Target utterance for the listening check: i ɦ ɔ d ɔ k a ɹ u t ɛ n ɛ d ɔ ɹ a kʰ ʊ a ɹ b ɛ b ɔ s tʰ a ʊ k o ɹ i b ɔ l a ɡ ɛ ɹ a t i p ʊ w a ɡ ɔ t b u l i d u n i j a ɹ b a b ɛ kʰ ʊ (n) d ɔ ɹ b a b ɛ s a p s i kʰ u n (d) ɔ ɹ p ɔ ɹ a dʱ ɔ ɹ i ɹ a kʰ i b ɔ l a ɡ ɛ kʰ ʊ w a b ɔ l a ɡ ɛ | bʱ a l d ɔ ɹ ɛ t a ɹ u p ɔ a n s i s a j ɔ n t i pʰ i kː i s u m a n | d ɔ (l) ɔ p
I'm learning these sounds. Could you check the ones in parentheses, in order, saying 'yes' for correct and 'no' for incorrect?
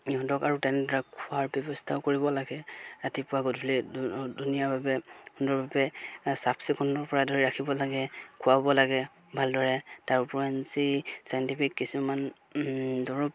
yes, yes, no

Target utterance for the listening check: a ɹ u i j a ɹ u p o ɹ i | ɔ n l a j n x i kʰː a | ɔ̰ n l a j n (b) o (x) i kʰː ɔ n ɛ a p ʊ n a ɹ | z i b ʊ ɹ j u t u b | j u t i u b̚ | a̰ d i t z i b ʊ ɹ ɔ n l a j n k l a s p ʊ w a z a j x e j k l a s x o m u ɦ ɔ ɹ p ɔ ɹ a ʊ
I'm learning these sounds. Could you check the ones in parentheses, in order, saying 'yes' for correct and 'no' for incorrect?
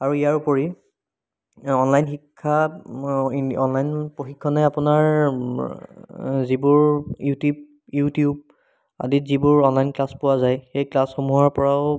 no, yes

